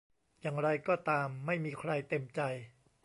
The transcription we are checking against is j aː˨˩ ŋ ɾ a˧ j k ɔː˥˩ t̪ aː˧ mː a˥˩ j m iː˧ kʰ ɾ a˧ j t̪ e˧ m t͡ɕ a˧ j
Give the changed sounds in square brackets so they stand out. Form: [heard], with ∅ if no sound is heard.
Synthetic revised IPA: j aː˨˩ ŋ ɾ a˧ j k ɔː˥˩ t̪ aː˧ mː a˥˩ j m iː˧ kʰ ɾ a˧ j t̪ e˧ m t͡ɕ a˧ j